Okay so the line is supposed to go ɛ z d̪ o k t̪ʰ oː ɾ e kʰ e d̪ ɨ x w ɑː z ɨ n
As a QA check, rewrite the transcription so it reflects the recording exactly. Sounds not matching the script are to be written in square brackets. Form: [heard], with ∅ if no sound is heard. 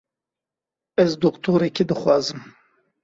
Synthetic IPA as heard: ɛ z d̪ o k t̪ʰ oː ɾ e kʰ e d̪ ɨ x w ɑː z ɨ [m]